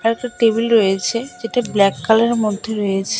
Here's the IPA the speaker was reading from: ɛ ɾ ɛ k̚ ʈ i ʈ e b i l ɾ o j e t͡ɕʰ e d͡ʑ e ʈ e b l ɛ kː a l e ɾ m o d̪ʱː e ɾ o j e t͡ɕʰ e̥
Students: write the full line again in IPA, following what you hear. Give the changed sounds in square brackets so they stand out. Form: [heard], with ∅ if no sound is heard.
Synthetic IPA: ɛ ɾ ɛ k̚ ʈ [a] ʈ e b i l ɾ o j e t͡ɕʰ e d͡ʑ e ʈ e b l ɛ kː a l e ɾ m o d̪ʱː e ɾ o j e t͡ɕʰ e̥

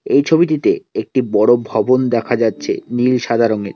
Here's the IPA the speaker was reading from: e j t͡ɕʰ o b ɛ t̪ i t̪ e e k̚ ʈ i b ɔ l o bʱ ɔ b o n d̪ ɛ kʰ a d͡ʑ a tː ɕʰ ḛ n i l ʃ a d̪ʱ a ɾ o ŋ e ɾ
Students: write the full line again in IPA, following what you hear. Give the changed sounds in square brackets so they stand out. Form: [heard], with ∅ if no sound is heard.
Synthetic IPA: e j t͡ɕʰ o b [i] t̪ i t̪ e e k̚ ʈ i b ɔ [ɽ] o bʱ ɔ b o n d̪ ɛ kʰ a d͡ʑ a tː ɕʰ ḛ n i l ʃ a d̪ʱ a ɾ o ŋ e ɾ

